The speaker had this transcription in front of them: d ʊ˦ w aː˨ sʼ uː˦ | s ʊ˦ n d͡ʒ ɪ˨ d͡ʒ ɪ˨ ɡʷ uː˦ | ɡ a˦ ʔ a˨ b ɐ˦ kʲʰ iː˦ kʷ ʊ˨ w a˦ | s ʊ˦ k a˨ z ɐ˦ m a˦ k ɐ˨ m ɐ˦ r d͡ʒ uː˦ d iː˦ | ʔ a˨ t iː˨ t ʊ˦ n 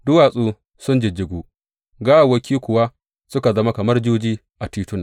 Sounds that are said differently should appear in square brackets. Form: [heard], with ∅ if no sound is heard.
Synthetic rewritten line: d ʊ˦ w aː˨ sʼ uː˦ | s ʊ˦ n d͡ʒ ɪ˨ d͡ʒ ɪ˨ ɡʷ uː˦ | ɡ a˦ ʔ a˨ [w] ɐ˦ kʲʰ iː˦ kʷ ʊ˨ w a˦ | s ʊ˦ k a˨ z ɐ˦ m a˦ k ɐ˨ m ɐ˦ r d͡ʒ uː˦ [d͡ʒ] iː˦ | ʔ a˨ t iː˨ t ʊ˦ n